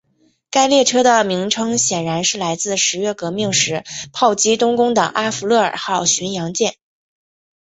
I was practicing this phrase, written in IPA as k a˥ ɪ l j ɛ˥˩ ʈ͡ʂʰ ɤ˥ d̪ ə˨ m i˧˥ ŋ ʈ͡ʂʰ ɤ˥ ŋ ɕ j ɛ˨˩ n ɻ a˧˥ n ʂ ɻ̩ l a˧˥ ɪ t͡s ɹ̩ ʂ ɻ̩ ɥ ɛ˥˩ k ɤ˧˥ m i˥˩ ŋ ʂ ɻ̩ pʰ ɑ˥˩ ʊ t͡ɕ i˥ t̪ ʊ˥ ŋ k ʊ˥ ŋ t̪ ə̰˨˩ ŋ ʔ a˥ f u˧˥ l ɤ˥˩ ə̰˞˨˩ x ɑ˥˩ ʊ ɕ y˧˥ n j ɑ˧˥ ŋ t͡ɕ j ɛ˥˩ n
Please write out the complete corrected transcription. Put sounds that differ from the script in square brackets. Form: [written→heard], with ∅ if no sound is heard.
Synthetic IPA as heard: k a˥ ɪ l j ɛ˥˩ ʈ͡ʂʰ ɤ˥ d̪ ə˨ m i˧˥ ŋ ʈ͡ʂʰ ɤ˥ ŋ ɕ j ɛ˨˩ n ɻ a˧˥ n ʂ ɻ̩ l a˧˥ ɪ t͡s ɹ̩ ʂ ɻ̩ ɥ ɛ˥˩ k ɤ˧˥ m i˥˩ ŋ ʂ ɻ̩ pʰ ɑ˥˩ ʊ t͡ɕ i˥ t̪ ʊ˥ ŋ k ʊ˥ ŋ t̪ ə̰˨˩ ŋ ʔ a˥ f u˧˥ l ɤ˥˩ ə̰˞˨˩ x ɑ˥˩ ʊ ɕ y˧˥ n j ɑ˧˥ ŋ t͡ɕ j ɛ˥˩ n